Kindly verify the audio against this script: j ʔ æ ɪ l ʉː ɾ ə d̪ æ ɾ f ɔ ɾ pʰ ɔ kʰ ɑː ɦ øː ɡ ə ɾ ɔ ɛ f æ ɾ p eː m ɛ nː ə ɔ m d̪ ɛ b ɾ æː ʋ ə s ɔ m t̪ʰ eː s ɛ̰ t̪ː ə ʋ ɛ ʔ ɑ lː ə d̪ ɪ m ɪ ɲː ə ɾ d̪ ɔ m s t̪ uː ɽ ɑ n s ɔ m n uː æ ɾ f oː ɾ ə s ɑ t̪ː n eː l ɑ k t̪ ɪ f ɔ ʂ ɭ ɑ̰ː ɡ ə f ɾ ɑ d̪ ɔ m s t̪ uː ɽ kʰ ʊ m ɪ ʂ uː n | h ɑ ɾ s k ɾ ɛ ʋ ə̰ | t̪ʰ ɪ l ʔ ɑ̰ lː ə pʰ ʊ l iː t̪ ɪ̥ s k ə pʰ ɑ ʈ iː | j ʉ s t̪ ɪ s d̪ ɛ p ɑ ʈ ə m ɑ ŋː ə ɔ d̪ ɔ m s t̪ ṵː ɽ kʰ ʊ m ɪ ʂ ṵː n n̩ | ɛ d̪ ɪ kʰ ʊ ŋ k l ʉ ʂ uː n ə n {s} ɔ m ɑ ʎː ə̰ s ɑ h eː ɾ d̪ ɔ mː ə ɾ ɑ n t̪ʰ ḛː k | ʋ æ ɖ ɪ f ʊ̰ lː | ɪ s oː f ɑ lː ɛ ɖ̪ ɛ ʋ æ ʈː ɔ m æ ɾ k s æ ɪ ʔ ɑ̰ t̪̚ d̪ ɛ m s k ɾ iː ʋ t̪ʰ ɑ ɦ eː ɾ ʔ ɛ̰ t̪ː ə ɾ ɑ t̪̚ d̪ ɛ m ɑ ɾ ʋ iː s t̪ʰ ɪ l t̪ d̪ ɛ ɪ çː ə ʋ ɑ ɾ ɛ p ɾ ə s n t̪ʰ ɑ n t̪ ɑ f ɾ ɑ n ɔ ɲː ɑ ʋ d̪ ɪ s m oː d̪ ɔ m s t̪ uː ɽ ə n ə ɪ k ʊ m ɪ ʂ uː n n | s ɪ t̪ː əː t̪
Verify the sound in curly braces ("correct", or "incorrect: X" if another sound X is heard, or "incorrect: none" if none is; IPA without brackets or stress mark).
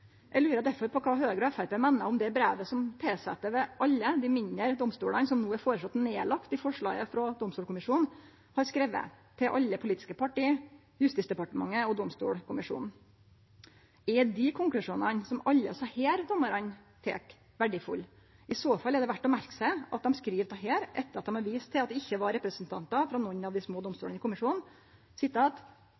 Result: correct